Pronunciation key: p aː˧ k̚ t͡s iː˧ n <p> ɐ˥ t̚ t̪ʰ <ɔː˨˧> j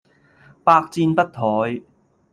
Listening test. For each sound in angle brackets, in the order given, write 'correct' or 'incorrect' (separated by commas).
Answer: correct, correct